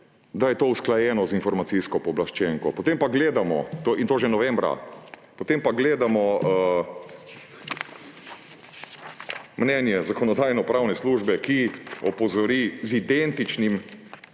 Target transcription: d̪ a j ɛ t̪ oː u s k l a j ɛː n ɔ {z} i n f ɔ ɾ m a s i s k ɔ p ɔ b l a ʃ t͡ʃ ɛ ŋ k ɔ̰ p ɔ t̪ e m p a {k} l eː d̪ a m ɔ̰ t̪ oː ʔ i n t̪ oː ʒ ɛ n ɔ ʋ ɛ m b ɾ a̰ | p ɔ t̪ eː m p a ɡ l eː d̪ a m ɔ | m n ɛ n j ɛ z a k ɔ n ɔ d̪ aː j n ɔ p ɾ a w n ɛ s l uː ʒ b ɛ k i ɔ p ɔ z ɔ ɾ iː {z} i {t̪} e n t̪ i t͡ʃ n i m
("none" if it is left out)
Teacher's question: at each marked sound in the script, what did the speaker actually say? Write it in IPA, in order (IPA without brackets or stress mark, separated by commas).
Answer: z, ɡ, z, d̪